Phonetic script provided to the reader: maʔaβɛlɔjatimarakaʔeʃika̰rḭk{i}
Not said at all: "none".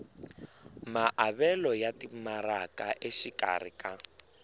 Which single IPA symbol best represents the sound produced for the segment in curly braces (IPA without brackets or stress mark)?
a